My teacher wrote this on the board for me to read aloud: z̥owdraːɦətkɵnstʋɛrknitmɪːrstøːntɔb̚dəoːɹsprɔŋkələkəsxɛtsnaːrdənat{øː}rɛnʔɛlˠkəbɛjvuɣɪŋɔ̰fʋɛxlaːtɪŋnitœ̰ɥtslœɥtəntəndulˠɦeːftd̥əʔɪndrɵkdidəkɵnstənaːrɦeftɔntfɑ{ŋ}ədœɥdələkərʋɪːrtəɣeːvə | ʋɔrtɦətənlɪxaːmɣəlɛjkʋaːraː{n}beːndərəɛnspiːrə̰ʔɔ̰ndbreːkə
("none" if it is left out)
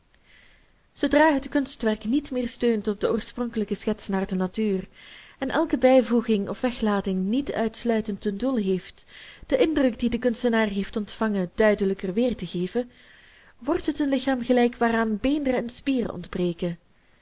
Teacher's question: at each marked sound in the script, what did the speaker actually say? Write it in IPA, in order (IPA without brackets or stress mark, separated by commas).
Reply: yː, ŋ, n